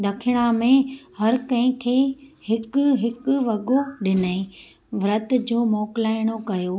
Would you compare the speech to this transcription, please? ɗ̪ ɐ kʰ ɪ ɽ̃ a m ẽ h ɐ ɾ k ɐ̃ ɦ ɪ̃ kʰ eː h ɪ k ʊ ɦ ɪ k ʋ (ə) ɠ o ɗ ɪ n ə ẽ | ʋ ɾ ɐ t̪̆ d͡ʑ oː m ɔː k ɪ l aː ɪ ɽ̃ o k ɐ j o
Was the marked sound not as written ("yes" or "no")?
yes